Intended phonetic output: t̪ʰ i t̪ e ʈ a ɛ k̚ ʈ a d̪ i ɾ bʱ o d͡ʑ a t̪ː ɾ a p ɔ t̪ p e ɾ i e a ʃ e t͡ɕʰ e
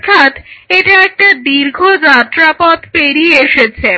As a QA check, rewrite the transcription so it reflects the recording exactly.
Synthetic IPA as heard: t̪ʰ a t̪ e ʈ a ɛ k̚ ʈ a d̪ i ɾ ɡʱ o d͡ʑ a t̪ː ɾ a p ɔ t̪ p e ɾ i e e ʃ e t͡ɕʰ e